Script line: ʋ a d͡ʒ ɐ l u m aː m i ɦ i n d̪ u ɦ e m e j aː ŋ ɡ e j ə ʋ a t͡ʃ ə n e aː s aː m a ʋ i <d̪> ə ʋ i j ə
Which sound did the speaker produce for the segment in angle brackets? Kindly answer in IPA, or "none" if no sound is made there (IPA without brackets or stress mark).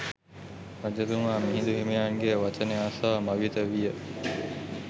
t̪